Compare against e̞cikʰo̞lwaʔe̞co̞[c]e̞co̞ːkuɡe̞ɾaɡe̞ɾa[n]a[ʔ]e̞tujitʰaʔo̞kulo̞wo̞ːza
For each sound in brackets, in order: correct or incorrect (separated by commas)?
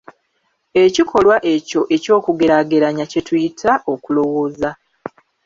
incorrect, incorrect, incorrect